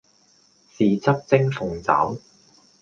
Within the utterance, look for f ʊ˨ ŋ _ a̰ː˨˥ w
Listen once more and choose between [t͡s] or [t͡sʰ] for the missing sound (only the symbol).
t͡s